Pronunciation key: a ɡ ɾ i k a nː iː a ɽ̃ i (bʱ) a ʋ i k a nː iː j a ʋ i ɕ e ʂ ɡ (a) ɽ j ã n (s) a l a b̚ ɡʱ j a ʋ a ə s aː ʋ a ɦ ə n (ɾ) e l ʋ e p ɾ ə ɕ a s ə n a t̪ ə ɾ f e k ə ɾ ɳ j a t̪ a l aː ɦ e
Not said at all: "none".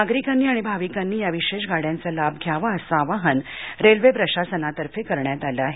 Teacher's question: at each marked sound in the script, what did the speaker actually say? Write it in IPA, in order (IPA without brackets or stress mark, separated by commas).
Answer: bʱ, a, t͡s, ɾ